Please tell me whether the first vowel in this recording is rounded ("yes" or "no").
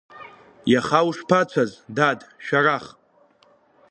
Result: no